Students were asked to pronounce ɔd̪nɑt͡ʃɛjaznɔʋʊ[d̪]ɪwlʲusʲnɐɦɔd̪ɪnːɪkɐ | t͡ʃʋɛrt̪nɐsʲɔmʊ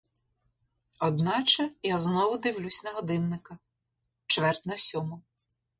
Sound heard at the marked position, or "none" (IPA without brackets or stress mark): d̪